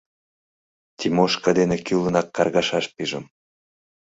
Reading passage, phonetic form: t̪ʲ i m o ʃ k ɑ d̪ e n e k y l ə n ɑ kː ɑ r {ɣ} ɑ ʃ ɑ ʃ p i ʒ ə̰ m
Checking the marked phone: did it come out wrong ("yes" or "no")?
no